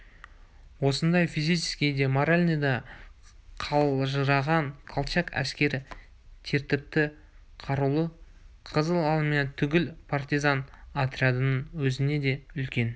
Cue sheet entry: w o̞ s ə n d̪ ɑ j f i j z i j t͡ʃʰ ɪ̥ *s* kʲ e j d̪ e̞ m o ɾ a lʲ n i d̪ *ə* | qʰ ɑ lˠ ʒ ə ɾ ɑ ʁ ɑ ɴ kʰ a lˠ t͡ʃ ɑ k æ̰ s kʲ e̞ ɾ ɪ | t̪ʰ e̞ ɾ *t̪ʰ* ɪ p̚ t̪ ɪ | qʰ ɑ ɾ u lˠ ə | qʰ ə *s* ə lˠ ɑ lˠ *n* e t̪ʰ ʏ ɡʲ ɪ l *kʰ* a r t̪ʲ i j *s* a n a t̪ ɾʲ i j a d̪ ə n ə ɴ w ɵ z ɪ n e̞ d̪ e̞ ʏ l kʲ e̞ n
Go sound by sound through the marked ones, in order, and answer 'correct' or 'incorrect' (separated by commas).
correct, incorrect, incorrect, incorrect, incorrect, incorrect, incorrect